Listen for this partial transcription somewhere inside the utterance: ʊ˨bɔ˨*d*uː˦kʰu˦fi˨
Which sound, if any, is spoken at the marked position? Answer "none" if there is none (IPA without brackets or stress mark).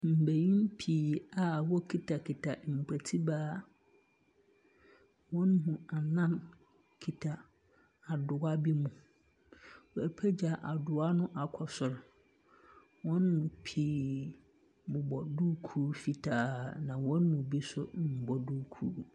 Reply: d